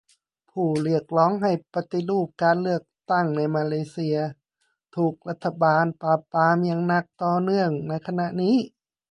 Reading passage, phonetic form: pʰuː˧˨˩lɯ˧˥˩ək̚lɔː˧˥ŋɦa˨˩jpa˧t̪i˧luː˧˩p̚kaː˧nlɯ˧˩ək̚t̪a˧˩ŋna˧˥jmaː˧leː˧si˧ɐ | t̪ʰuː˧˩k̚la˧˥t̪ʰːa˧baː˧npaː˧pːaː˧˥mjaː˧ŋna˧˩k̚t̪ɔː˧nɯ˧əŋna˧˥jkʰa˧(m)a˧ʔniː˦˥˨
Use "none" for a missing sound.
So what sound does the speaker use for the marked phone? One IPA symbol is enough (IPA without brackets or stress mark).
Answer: n